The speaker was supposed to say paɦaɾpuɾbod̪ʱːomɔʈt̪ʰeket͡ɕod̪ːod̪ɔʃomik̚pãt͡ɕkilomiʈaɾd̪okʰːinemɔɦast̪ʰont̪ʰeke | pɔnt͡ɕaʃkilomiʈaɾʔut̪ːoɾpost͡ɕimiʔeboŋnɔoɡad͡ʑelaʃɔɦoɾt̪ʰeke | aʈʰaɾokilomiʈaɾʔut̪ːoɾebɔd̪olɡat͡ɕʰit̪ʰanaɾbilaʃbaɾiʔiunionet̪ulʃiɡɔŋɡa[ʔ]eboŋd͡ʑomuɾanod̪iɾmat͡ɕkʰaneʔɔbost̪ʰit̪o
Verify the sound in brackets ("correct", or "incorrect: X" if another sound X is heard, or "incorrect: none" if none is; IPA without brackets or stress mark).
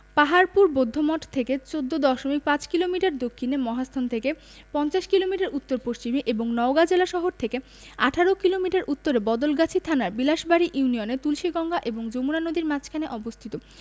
correct